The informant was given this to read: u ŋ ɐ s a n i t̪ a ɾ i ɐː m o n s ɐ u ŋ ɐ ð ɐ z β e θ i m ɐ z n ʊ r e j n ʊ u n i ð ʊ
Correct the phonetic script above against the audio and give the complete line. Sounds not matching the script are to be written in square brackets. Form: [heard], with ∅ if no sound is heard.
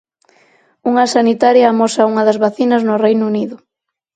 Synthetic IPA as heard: u ŋ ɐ s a n i t̪ a ɾ [j] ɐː m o [∅] s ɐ u ŋ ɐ ð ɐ z β [a] θ i [n] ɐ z n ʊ r e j n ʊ u n i ð ʊ